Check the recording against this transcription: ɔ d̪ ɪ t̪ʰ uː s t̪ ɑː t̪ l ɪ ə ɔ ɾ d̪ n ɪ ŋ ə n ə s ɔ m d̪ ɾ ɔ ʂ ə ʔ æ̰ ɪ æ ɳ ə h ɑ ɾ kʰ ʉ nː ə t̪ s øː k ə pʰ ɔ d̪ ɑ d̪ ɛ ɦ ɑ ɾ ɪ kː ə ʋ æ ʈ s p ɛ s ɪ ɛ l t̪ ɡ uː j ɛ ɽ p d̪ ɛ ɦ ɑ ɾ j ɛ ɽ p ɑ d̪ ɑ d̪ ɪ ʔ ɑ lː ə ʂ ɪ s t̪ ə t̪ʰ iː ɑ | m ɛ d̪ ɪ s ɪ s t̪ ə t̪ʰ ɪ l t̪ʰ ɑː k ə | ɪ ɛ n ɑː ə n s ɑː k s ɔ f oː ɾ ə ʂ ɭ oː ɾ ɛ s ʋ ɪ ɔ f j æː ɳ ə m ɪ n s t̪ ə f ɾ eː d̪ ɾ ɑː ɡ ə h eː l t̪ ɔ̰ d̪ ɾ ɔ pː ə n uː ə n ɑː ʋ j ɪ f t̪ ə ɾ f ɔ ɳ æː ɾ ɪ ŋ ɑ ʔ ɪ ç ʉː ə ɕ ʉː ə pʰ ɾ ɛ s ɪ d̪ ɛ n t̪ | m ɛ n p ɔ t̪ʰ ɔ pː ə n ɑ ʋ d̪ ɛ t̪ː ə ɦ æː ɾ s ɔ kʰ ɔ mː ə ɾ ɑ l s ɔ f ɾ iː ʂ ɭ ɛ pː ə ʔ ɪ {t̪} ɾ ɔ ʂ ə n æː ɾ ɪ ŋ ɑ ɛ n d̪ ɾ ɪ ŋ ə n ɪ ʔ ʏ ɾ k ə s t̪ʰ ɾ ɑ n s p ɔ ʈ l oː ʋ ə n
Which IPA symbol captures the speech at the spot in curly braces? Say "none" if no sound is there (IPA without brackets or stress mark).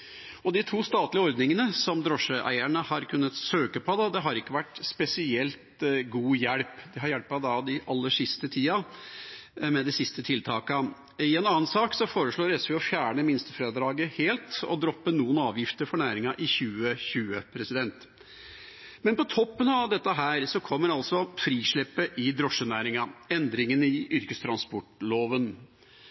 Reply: d̪